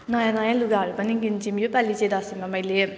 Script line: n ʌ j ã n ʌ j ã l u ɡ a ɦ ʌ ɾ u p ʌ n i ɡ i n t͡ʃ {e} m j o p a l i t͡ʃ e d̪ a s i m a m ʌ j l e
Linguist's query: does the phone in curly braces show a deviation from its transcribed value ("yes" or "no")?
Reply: yes